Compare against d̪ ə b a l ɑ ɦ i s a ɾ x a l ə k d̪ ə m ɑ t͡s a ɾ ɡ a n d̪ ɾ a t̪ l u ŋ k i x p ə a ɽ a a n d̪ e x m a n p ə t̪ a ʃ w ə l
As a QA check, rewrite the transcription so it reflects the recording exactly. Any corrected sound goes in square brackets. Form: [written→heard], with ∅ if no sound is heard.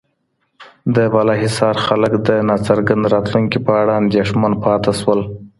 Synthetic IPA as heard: d̪ ə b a l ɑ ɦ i s [a→ɑ] ɾ x a l ə k d̪ ə [m→n] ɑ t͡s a ɾ ɡ a n d̪ ɾ [a→ɑ] t̪ l u ŋ k i [x→∅] p ə a ɽ a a n d̪ e [x→ʂ] m a n p [ə→ɑ] t̪ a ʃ w ə l